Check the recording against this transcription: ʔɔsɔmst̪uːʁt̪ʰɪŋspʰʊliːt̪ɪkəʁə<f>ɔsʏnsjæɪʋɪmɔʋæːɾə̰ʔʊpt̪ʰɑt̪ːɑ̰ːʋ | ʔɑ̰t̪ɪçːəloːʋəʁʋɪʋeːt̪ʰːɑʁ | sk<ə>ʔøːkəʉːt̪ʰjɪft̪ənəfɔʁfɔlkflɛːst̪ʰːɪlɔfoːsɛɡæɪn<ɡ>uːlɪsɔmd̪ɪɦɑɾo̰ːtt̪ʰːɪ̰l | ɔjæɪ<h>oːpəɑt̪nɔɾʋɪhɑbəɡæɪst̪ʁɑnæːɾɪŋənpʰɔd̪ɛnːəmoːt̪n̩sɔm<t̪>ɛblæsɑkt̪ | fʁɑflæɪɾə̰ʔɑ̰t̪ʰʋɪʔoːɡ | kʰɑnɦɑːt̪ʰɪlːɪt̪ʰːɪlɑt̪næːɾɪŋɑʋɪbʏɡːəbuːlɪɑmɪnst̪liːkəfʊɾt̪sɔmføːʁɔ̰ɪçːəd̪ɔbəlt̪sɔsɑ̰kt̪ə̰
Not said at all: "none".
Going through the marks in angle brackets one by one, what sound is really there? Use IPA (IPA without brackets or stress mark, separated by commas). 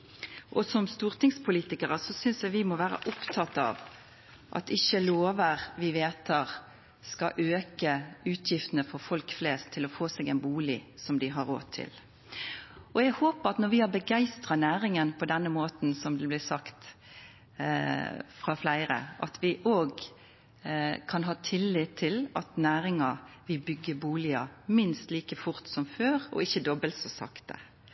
s, ɑ, b, h, d̪